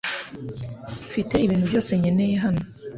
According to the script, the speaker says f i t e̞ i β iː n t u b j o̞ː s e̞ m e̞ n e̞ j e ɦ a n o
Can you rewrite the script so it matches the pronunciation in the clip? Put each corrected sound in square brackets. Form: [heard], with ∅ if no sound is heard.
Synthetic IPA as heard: f i t e̞ i β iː n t u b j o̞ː s e̞ [ɲ] e̞ n e̞ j e ɦ a n o